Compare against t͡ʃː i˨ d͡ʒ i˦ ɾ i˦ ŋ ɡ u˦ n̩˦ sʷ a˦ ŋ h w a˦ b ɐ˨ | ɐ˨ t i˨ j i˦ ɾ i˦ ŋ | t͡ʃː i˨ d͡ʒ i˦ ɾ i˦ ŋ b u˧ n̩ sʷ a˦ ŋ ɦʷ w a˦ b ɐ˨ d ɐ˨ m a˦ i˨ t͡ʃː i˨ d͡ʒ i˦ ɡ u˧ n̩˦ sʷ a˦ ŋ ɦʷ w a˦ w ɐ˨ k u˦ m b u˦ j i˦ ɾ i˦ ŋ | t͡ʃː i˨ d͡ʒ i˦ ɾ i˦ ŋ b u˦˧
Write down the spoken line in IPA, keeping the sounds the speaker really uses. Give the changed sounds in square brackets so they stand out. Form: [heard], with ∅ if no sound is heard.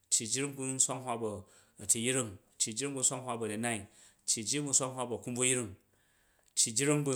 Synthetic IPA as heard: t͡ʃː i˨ d͡ʒ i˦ ɾ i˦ ŋ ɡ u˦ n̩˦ sʷ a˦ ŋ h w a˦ b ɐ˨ | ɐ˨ t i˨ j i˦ ɾ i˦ ŋ | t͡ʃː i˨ d͡ʒ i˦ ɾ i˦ ŋ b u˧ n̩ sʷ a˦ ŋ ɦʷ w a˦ b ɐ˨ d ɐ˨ [n] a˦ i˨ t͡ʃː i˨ d͡ʒ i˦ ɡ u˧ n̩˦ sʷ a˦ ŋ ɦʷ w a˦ [b] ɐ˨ k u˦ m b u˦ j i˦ ɾ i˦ ŋ | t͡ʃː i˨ d͡ʒ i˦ ɾ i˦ ŋ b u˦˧